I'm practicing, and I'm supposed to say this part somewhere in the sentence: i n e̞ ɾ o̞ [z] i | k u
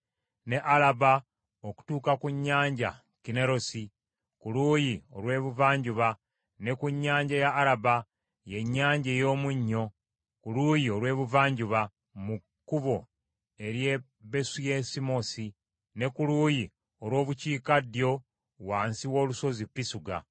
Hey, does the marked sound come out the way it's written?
no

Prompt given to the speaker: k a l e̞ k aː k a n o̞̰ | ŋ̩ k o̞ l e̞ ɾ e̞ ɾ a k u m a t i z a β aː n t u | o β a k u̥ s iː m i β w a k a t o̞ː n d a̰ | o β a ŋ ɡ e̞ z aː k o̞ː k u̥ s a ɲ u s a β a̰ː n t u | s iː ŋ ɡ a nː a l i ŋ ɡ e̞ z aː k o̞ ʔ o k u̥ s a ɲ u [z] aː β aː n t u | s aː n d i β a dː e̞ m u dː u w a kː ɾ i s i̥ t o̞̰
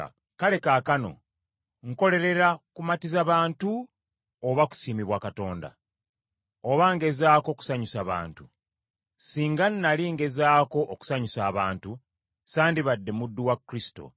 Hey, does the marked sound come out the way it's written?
no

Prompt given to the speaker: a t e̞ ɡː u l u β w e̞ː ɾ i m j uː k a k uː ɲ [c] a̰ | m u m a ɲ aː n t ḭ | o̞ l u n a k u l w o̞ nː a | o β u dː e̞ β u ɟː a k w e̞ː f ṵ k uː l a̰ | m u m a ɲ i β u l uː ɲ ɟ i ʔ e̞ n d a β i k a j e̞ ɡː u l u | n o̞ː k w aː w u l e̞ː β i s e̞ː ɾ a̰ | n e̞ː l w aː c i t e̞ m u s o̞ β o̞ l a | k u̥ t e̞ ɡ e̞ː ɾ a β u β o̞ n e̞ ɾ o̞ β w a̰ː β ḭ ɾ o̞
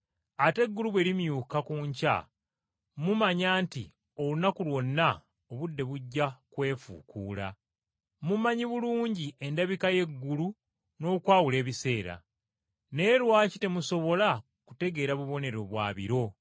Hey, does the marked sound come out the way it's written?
yes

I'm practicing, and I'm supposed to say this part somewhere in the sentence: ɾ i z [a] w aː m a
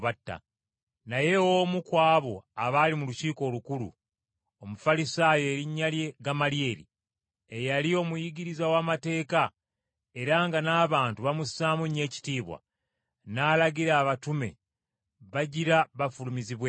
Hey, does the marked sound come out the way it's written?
yes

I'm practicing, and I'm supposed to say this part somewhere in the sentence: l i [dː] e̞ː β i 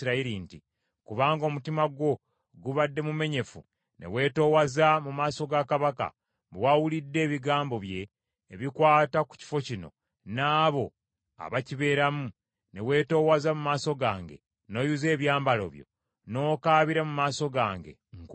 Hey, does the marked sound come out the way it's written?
yes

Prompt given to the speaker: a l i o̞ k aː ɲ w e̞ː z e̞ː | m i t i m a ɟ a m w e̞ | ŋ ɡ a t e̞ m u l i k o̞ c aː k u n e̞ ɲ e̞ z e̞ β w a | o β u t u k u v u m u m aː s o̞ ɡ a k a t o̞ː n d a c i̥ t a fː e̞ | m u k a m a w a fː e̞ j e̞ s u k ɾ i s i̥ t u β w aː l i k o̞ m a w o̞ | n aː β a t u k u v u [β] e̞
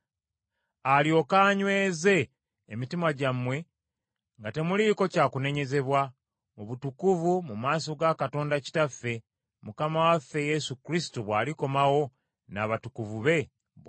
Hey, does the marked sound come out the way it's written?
yes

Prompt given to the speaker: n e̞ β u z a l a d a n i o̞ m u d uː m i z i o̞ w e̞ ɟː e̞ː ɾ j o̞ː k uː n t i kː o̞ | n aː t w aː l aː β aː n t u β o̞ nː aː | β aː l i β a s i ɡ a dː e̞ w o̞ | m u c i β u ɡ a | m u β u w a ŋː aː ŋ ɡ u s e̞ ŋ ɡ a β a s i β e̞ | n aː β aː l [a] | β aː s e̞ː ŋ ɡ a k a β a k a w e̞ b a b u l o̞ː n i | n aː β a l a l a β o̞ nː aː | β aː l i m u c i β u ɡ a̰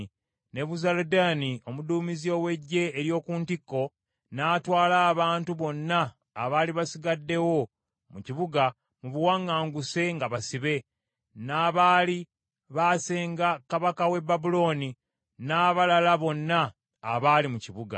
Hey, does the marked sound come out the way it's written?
no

